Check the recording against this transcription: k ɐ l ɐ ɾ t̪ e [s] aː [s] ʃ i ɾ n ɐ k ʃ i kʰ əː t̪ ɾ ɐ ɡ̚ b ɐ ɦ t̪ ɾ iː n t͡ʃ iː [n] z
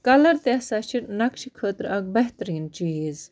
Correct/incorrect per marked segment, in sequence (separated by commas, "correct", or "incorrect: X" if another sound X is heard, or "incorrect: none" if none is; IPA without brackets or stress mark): correct, incorrect: none, incorrect: none